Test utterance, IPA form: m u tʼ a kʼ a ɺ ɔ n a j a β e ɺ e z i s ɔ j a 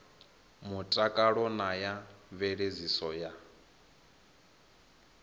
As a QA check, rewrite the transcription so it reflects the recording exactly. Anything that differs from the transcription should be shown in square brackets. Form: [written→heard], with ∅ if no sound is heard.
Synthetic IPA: m u tʼ a kʼ a ɺ ɔ n a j a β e ɺ e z i s ɔ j a